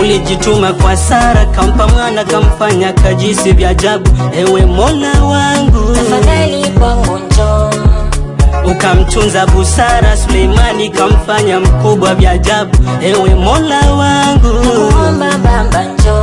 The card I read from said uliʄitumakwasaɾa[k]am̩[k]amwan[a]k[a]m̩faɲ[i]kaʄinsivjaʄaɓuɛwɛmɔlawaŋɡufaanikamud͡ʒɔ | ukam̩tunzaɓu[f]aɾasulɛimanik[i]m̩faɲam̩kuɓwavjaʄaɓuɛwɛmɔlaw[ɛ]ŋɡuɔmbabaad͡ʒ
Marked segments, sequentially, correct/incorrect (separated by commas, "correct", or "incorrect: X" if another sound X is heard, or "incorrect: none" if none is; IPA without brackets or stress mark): correct, incorrect: p, correct, correct, incorrect: a, incorrect: s, incorrect: a, incorrect: a